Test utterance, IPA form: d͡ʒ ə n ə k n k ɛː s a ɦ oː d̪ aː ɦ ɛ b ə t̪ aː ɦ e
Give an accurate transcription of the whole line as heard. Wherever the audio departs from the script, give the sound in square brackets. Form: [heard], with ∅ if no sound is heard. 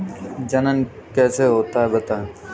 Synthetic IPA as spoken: d͡ʒ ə n ə [∅] n k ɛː s [e] ɦ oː [t̪] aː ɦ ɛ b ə t̪ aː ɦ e